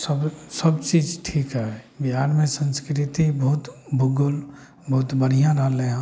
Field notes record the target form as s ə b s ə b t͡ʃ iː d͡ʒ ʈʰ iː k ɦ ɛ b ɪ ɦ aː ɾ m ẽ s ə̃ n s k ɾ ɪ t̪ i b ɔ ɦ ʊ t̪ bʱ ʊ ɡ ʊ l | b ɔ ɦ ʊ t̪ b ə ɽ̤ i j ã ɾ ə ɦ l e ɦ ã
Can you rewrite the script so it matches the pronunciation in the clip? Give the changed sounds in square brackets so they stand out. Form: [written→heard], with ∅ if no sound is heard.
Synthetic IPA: s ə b s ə b t͡ʃ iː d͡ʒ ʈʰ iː k ɦ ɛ b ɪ ɦ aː ɾ m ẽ s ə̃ n s k ɾ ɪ t̪ i b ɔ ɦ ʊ t̪ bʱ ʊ ɡ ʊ l | b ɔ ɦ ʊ t̪ b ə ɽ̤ i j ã ɾ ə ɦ l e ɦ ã